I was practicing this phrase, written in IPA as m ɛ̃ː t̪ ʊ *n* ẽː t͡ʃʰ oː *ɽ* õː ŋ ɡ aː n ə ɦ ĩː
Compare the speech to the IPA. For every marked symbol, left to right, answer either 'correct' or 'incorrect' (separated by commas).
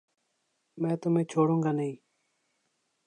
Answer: incorrect, correct